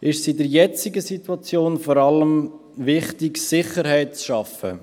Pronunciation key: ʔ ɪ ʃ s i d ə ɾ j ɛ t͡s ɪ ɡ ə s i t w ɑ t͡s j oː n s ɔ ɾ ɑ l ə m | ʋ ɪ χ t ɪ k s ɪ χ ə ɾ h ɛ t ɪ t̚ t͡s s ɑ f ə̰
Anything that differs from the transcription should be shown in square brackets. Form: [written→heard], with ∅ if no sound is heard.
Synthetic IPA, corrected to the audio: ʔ ɪ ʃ s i d ə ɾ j ɛ t͡s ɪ ɡ ə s i t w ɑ t͡s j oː n [s→f] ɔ ɾ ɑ l ə m | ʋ ɪ χ t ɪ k s ɪ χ ə ɾ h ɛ [t→∅] ɪ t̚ t͡s [s→ʃ] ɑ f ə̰